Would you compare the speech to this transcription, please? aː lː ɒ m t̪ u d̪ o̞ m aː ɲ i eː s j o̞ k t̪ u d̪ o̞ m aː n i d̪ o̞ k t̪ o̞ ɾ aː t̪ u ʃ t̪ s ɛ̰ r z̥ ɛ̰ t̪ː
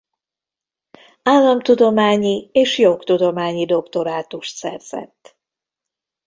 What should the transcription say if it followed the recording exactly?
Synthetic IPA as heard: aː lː ɒ m t̪ u d̪ o̞ m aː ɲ i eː ʃ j o̞ k t̪ u d̪ o̞ m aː ɲ i d̪ o̞ k t̪ o̞ ɾ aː t̪ u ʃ t̪ s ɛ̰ r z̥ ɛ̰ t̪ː